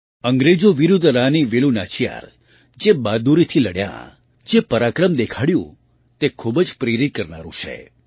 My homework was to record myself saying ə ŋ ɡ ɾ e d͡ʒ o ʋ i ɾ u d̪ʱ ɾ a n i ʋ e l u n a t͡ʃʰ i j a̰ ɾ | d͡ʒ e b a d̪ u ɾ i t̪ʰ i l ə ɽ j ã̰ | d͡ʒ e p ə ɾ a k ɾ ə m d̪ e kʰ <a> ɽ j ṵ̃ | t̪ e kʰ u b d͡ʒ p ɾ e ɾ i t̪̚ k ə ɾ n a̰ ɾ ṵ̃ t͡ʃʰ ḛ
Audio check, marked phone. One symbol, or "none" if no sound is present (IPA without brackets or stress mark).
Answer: a